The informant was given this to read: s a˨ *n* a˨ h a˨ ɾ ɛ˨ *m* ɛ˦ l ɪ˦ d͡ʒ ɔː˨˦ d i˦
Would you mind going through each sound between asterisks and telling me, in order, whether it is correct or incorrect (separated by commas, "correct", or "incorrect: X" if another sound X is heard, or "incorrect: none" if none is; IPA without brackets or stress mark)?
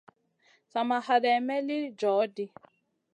incorrect: m, correct